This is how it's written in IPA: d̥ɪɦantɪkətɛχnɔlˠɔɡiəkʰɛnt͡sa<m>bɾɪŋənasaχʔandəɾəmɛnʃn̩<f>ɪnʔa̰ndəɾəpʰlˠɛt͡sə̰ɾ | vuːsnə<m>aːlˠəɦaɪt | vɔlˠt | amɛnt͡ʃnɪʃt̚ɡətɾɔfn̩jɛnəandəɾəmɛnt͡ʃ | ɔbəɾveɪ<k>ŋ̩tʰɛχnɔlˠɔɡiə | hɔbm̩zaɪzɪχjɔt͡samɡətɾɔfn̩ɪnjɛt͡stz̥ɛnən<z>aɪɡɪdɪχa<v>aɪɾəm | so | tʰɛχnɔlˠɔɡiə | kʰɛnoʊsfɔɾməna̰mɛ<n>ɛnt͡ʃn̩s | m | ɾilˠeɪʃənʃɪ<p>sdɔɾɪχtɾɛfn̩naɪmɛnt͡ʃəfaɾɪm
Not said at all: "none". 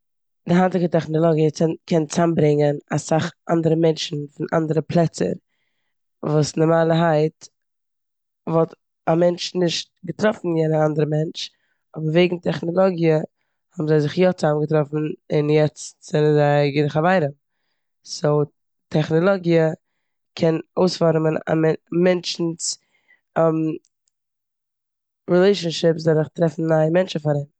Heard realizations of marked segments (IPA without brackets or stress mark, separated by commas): m, f, m, ɡ, z, v, m, p